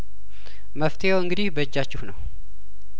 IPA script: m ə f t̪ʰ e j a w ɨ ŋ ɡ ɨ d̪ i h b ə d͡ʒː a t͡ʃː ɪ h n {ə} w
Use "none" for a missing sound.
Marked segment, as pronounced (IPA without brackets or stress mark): ə